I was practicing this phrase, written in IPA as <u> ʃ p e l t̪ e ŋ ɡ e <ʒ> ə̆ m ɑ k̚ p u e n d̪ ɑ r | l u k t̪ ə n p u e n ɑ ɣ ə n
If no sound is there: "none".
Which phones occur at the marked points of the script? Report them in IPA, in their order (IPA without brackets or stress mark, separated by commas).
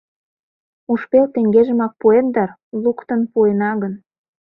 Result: u, ʒ